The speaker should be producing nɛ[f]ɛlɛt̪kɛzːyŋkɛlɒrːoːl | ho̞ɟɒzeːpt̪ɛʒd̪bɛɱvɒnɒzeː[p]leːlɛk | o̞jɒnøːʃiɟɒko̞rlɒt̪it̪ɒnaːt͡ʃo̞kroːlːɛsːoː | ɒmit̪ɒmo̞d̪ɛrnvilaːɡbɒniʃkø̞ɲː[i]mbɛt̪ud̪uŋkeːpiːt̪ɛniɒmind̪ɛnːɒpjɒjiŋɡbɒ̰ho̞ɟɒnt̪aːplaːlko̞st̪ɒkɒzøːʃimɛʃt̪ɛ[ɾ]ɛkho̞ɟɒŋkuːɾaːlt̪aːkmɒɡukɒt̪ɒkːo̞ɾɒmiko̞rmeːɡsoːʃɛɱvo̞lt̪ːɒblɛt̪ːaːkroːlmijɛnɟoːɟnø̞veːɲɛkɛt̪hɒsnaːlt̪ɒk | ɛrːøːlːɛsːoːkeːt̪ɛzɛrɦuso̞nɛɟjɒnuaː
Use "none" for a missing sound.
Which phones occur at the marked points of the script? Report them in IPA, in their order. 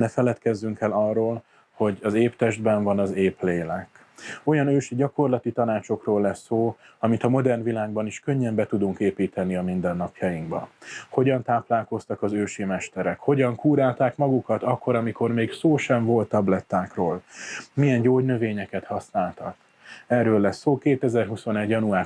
f, p, ɛ, ɾ

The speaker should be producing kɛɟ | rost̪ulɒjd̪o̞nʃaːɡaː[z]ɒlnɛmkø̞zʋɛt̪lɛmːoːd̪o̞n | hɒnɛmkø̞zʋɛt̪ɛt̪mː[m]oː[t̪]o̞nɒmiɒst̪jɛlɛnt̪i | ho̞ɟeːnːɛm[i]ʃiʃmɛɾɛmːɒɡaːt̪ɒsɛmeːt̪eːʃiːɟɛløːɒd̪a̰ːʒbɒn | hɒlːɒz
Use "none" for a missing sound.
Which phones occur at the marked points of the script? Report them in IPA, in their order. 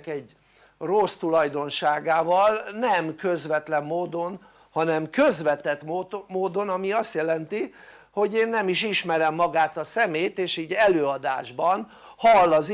v, m, d̪, i

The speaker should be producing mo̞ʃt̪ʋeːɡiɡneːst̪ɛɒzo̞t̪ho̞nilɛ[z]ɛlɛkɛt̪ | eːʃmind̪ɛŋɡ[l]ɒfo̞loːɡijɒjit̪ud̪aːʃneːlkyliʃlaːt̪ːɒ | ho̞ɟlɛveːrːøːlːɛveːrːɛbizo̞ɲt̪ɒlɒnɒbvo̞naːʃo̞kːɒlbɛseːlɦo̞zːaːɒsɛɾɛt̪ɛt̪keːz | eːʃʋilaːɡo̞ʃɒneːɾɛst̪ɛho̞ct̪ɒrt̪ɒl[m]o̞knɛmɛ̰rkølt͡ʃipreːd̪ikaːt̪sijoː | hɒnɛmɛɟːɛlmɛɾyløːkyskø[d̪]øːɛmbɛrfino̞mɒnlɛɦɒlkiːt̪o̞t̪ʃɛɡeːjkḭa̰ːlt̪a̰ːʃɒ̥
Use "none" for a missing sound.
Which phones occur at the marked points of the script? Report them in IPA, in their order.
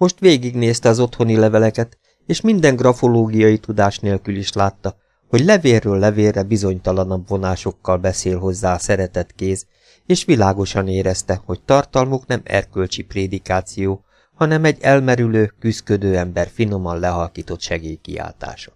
v, r, m, d̪

